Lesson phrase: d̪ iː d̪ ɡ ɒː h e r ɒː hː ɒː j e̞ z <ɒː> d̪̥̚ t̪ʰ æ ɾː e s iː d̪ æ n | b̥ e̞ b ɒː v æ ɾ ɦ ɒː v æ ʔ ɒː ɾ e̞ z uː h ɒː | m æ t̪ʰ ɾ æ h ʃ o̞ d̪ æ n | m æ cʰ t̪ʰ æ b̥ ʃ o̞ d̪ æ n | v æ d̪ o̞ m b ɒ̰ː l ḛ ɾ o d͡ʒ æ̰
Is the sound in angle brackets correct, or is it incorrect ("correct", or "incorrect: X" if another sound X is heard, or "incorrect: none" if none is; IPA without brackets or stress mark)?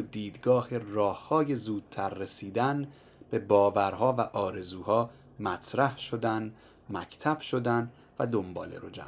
incorrect: uː